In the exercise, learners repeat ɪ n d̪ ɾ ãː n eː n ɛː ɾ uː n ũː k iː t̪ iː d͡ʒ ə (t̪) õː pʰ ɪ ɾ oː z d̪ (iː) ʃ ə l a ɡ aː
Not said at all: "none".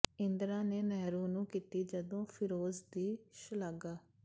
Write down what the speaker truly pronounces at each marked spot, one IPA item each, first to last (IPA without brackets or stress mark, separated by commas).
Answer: d̪, iː